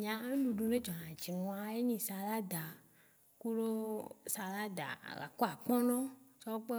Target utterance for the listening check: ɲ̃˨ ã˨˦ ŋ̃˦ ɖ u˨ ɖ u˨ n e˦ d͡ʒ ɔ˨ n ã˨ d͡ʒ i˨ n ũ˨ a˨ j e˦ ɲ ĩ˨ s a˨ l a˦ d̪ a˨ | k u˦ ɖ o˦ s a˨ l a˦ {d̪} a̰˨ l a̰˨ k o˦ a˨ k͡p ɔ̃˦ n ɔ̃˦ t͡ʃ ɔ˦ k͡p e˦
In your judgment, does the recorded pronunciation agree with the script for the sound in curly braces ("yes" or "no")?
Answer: yes